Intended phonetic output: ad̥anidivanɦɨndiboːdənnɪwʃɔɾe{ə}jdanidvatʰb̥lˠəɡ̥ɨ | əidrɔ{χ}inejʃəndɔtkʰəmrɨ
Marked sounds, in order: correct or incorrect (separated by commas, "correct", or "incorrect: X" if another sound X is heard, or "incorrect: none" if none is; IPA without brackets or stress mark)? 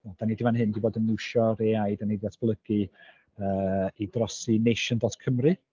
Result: incorrect: a, incorrect: s